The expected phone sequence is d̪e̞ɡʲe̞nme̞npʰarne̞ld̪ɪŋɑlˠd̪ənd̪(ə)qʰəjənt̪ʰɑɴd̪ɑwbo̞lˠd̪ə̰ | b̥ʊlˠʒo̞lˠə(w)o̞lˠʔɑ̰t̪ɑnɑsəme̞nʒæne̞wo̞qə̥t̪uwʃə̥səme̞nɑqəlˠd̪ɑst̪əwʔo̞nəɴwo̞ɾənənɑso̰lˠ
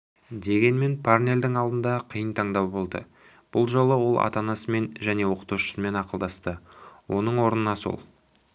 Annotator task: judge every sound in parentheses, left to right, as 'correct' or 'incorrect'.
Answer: incorrect, correct

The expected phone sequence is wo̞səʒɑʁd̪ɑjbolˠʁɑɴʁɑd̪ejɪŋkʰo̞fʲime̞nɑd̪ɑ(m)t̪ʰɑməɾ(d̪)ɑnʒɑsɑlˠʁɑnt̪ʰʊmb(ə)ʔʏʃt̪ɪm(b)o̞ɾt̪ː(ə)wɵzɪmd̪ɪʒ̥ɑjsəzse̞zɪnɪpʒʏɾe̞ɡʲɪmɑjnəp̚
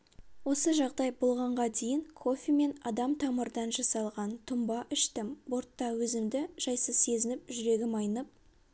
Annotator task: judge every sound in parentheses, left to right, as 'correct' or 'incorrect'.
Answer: correct, correct, incorrect, correct, incorrect

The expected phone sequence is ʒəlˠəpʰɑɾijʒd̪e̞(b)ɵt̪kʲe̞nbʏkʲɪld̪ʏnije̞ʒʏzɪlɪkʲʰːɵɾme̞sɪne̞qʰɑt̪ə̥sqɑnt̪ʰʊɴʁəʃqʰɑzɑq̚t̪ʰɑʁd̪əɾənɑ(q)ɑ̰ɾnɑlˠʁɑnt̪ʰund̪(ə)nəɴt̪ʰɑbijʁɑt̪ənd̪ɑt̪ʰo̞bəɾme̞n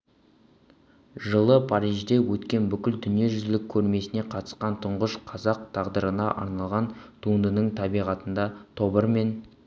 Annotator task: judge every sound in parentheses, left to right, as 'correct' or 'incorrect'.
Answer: incorrect, incorrect, correct

